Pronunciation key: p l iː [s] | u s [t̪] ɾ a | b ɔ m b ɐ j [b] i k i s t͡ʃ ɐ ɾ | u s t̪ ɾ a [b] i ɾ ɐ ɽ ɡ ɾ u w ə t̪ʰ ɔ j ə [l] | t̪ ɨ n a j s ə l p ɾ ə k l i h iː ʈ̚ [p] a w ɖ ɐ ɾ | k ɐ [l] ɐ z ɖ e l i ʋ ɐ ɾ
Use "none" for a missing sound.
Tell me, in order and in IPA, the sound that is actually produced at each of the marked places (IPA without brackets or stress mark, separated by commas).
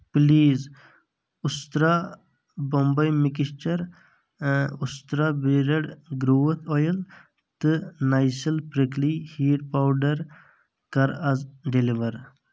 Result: z, t̪, m, b, l, p, ɾ